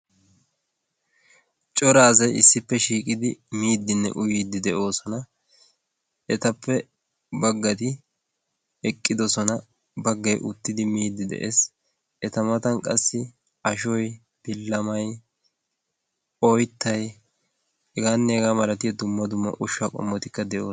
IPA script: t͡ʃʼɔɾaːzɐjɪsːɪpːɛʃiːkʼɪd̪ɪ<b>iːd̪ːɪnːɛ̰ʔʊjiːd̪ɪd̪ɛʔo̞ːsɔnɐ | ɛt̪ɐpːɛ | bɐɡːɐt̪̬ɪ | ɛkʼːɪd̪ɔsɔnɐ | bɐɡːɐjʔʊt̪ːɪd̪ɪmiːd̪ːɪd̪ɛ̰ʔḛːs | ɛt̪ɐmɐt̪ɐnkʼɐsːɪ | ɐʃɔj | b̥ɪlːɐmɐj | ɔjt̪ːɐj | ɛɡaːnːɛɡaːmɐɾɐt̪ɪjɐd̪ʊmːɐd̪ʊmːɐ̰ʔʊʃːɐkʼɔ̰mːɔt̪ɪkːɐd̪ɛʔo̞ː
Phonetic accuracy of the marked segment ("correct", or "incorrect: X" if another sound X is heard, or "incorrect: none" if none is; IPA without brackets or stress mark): incorrect: m